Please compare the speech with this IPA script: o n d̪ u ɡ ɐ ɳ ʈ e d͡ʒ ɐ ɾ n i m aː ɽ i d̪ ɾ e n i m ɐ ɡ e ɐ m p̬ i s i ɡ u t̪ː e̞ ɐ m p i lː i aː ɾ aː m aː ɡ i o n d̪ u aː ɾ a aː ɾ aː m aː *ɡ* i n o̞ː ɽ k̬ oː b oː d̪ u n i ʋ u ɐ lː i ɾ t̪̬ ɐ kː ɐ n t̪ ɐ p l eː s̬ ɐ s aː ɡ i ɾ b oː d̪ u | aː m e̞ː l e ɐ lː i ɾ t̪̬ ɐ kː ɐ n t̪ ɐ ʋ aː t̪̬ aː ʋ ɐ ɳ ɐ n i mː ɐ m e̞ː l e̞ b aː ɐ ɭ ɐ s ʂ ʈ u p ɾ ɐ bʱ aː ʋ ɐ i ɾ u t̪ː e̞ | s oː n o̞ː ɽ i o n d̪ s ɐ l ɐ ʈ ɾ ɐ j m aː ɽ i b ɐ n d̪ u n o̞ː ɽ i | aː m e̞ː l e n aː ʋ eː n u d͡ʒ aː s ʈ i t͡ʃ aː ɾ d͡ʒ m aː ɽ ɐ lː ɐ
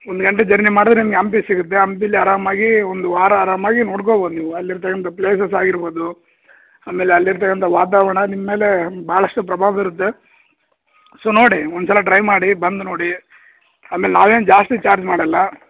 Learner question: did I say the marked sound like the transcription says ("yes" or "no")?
yes